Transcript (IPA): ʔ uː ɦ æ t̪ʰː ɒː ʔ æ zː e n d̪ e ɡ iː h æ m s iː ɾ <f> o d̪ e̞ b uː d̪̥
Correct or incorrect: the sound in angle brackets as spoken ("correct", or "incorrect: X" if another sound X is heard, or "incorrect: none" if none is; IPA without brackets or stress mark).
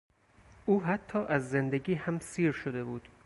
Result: incorrect: ʃ